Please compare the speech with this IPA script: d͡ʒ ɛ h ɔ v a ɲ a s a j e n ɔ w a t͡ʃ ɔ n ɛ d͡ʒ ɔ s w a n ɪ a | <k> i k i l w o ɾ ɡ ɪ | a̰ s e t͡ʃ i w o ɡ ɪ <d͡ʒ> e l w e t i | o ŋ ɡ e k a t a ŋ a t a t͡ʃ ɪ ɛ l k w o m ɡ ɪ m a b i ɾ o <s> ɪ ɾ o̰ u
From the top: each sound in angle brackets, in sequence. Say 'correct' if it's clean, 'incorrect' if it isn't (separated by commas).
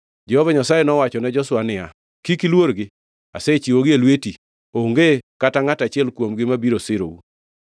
correct, incorrect, correct